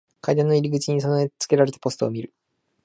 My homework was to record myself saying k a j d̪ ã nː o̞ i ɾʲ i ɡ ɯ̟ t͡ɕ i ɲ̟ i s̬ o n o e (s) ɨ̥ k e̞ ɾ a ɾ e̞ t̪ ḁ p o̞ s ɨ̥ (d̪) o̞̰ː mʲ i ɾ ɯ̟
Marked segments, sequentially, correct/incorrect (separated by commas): incorrect, incorrect